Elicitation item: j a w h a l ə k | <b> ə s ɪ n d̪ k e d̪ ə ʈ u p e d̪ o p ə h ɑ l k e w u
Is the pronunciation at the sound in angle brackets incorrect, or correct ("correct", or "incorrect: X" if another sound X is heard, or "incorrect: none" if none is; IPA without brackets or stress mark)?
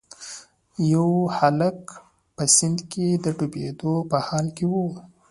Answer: incorrect: p